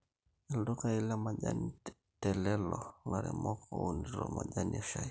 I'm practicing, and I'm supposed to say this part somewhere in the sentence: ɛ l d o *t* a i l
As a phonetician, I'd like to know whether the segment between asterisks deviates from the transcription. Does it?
yes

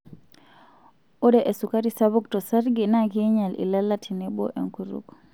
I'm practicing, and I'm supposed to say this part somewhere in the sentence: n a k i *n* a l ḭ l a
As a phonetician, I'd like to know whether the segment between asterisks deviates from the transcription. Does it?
yes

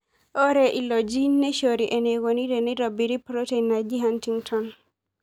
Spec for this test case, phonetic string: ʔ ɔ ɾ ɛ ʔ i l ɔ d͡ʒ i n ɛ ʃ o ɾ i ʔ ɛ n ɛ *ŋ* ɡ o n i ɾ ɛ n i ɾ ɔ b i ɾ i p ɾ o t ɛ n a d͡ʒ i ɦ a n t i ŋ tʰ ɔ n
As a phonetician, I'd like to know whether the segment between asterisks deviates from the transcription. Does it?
yes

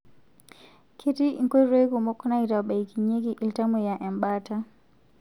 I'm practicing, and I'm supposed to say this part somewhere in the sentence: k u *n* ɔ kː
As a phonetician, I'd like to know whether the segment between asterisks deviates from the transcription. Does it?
yes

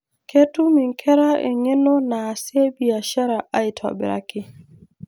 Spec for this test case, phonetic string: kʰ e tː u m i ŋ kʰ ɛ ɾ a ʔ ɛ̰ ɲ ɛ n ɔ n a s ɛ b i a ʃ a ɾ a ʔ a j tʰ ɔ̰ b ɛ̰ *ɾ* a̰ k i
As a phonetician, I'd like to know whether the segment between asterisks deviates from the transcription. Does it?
no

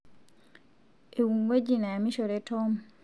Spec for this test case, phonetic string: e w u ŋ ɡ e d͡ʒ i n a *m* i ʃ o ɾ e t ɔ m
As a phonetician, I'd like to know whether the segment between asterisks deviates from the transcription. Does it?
no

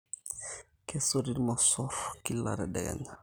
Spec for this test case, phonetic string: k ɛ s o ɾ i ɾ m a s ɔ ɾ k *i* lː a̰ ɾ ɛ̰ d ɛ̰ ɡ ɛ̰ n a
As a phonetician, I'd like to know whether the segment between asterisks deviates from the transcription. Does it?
no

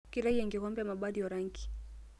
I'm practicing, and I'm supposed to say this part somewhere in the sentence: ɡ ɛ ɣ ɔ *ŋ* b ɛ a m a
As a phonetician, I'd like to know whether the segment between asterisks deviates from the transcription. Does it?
yes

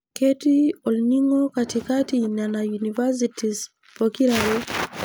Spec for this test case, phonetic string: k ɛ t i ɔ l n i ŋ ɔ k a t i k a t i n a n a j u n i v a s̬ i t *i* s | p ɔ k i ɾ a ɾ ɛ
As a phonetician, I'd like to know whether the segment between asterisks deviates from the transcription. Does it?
no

